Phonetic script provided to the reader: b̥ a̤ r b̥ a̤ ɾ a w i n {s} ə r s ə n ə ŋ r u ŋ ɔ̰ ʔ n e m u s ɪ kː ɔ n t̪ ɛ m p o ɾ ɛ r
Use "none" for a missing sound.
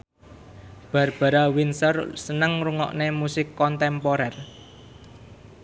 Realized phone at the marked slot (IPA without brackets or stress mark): s